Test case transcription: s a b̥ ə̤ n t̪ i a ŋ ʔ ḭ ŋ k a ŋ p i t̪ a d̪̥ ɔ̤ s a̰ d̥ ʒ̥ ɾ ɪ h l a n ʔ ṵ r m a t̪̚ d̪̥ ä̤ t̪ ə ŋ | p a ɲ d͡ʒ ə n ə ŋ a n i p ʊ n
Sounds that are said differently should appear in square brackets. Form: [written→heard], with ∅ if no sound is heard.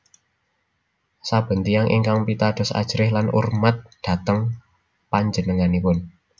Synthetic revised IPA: s a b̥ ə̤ n t̪ i a ŋ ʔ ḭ ŋ k a ŋ p i t̪ a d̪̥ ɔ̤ s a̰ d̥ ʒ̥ ɾ ɪ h l a n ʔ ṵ r m a t̪̚ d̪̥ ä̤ t̪ ə ŋ | p a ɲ d͡ʒ ə n ə ŋ a n i p ʊ n